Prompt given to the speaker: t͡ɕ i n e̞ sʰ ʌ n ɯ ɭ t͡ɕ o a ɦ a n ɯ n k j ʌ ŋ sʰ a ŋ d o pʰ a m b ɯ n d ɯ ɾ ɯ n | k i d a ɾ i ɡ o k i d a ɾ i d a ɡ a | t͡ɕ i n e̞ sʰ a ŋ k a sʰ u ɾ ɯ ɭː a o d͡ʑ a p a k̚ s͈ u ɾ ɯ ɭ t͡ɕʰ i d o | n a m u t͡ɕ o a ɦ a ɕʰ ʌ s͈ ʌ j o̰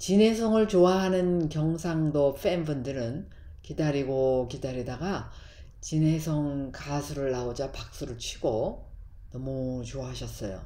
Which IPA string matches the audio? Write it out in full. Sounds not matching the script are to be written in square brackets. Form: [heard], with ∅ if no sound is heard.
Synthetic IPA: t͡ɕ i n e̞ sʰ ʌ [ŋ] ɯ ɭ t͡ɕ o a ɦ a n ɯ n k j ʌ ŋ sʰ a ŋ d o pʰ [e] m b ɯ n d ɯ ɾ ɯ n | k i d a ɾ i ɡ o k i d a ɾ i d a ɡ a | t͡ɕ i n e̞ sʰ [ʌ] ŋ k a sʰ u ɾ ɯ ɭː a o d͡ʑ a p a k̚ s͈ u ɾ ɯ ɭ t͡ɕʰ i [ɡ] o | n [ʌ] m u t͡ɕ o a ɦ a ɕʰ ʌ s͈ ʌ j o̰